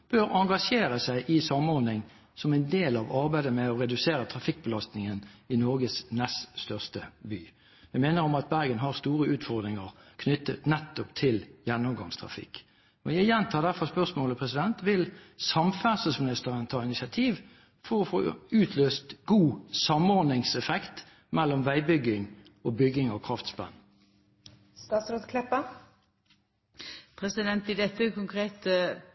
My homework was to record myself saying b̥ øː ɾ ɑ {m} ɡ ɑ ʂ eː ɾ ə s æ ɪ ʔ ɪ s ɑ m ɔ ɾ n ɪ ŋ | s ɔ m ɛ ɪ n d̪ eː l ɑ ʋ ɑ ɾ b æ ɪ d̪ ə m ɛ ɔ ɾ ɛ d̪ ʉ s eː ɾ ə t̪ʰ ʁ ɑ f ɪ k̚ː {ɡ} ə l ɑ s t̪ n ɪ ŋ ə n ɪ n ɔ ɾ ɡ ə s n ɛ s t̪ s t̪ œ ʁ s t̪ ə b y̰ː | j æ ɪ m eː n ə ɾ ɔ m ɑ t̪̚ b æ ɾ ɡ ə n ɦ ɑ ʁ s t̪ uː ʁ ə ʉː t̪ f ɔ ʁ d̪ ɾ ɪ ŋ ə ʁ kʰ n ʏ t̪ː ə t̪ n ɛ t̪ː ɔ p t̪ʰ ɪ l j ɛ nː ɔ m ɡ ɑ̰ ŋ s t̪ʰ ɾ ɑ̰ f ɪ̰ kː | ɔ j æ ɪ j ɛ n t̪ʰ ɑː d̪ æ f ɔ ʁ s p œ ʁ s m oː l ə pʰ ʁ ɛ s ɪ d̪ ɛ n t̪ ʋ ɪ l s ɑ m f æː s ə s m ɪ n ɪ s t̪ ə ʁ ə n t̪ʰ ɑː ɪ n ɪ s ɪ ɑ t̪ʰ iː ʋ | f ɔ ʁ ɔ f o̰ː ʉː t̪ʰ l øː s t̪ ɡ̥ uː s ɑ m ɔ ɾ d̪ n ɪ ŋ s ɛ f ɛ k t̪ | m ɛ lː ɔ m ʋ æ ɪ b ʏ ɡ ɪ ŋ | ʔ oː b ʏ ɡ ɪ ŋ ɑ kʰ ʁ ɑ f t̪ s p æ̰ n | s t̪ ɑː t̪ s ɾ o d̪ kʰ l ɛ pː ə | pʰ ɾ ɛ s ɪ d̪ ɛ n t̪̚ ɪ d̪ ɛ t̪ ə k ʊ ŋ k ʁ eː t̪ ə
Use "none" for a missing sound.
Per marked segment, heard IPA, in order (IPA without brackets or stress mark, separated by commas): ŋ, b